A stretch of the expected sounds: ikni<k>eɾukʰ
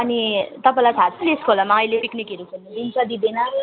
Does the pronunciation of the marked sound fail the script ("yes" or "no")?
no